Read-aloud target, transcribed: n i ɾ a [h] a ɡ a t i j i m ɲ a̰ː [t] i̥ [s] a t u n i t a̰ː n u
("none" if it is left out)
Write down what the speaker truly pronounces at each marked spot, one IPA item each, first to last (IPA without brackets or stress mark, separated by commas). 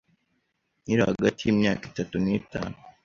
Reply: h, k, t